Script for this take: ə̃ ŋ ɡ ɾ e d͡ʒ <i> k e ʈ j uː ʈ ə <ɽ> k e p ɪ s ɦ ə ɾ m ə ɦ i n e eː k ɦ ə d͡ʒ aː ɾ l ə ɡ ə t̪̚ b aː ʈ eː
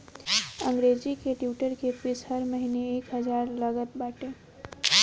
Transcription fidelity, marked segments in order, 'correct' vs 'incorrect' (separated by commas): correct, incorrect